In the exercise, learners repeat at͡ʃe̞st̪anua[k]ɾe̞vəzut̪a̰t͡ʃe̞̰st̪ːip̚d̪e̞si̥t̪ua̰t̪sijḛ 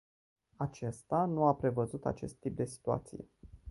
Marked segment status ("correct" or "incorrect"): incorrect